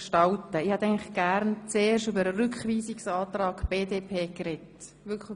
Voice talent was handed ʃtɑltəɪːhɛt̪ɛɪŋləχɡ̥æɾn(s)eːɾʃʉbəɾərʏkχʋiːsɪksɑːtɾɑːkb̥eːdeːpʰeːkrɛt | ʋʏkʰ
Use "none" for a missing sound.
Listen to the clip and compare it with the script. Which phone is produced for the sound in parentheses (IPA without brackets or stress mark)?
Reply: t͡s